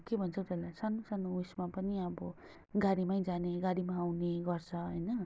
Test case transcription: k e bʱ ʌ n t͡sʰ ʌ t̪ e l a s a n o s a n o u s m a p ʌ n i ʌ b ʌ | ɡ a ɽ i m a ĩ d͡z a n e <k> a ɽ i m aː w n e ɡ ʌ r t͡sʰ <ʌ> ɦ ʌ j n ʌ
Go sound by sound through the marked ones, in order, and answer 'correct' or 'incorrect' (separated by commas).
incorrect, correct